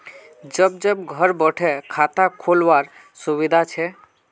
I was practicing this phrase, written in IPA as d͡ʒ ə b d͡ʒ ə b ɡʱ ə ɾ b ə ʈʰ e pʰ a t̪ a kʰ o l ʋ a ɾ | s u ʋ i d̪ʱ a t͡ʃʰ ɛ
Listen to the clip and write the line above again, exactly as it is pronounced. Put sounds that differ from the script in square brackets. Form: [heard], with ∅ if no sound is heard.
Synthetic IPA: d͡ʒ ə b d͡ʒ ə b ɡʱ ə ɾ b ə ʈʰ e [kʰ] a t̪ a kʰ o l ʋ a ɾ | s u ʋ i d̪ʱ a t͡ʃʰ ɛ